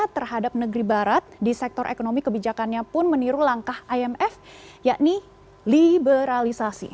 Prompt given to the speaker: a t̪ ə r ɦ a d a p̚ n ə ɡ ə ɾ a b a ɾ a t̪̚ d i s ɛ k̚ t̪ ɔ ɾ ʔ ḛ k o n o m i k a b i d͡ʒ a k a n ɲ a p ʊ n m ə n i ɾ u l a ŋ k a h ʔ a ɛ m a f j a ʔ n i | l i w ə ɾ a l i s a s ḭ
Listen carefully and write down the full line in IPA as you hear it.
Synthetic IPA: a t̪ ə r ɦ a d a p̚ n ə ɡ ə ɾ i b a ɾ a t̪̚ d i s ɛ k̚ t̪ ɔ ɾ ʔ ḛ k o n o m i k ə b i d͡ʒ a k a n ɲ a p ʊ n m ə n i ɾ u l a ŋ k a h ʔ a ɛ m ɛ f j a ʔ n i | l i b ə ɾ a l i s a s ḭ